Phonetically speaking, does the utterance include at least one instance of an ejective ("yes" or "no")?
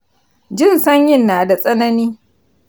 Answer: yes